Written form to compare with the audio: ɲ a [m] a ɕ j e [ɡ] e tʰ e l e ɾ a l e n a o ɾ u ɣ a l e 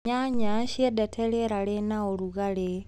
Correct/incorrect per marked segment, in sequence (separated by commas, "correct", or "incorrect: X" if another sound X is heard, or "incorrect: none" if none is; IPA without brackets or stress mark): incorrect: ɲ, incorrect: d